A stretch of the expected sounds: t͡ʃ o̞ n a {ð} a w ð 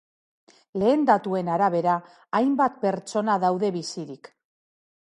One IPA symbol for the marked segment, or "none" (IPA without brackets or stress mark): ð